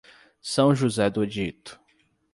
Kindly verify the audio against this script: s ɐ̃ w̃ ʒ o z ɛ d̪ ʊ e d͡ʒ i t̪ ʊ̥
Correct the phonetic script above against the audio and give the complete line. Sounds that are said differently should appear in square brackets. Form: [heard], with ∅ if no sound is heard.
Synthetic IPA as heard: s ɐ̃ w̃ ʒ [u] z ɛ d̪ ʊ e d͡ʒ i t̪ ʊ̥